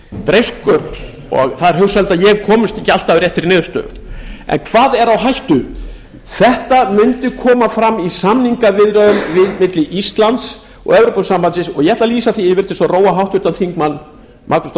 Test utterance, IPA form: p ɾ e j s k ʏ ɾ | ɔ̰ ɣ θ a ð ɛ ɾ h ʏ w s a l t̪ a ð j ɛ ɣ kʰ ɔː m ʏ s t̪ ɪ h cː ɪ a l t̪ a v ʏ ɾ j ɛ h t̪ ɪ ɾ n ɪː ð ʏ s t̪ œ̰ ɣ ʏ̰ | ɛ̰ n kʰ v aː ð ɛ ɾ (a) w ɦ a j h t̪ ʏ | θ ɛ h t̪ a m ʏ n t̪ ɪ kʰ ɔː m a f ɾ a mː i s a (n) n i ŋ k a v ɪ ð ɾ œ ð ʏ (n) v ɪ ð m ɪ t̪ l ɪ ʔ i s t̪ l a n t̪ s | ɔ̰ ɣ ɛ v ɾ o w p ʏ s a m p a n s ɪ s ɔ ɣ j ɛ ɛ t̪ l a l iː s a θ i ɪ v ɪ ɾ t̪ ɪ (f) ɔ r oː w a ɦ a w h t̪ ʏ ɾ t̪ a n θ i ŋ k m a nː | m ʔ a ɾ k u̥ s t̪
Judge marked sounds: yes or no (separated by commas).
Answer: yes, no, no, no